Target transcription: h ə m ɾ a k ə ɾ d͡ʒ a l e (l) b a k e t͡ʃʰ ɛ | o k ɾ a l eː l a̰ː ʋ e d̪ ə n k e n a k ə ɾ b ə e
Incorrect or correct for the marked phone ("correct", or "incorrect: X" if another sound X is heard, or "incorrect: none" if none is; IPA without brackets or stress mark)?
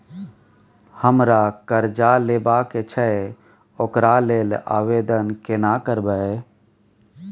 incorrect: none